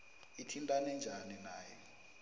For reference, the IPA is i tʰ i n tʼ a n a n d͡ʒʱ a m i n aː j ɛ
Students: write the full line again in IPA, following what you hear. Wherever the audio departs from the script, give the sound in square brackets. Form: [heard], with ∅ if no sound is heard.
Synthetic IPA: i tʰ i n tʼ a n [ɛ] n d͡ʒʱ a [n] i n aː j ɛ

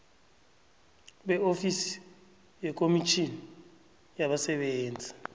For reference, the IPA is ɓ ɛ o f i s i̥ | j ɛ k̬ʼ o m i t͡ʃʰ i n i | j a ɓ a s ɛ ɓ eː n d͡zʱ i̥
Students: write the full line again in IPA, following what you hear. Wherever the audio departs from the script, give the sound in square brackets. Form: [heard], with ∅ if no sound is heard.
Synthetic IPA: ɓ ɛ o f i s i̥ | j ɛ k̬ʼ o m i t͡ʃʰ i n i | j a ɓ a s ɛ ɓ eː n d͡zʱ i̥

